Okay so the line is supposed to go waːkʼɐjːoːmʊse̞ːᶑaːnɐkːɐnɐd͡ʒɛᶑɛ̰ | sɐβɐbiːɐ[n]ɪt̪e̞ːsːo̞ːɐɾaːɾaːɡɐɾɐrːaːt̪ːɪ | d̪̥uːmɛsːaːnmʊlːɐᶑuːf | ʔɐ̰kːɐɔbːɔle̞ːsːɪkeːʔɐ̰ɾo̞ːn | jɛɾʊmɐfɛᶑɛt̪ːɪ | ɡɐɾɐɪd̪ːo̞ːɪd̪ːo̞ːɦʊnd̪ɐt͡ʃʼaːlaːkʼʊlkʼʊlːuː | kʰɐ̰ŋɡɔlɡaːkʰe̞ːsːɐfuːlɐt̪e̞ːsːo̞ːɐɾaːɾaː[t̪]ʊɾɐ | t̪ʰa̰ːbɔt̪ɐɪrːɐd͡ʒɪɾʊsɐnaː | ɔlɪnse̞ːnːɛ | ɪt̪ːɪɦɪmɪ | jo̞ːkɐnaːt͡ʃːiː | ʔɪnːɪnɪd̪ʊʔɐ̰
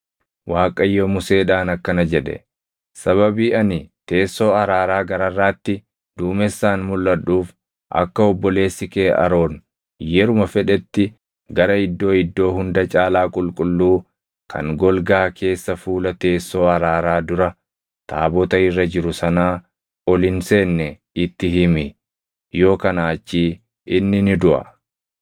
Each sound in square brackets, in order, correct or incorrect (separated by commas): correct, incorrect